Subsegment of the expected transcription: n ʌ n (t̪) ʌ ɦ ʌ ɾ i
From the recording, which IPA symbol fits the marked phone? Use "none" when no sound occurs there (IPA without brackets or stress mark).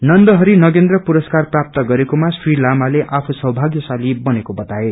d̪